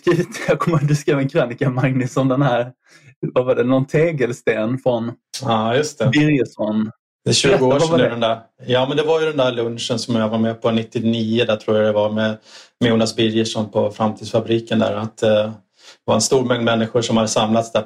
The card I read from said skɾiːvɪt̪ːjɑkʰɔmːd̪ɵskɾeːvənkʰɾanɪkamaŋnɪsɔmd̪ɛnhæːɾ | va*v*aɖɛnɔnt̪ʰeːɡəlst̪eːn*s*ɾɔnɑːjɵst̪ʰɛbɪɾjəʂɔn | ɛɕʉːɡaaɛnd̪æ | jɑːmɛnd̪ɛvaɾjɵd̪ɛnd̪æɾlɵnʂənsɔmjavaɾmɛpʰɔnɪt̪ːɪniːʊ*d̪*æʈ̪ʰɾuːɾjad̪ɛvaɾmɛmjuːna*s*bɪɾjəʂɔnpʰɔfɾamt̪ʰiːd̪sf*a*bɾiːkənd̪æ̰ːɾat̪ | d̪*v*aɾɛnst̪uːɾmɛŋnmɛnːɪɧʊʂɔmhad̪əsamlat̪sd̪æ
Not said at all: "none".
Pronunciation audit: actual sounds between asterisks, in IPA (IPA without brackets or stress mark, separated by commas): v, f, d̪, s, a, v